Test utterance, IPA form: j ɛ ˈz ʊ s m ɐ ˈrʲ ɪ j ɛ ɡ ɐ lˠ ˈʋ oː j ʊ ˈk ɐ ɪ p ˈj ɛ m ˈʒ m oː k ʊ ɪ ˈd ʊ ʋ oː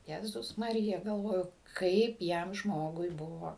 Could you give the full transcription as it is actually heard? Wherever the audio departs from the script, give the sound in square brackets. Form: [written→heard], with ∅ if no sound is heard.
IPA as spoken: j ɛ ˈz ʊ s m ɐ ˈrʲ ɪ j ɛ ɡ ɐ lˠ ˈʋ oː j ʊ ˈk ɐ ɪ p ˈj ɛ m ˈʒ m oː [k→ɡ] ʊ ɪ [ˈd→ˈb] ʊ ʋ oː